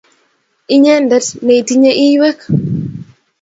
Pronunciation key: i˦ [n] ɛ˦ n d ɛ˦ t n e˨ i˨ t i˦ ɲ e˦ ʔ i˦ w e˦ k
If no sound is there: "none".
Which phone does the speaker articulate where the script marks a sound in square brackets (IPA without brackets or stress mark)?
ɲ